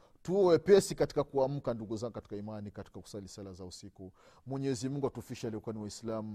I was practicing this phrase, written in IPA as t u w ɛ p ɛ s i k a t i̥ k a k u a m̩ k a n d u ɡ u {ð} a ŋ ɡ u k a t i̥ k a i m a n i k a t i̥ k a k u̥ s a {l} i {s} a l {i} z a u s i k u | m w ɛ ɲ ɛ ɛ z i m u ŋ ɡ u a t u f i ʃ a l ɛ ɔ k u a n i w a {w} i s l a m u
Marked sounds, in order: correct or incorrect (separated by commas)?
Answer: incorrect, correct, correct, incorrect, incorrect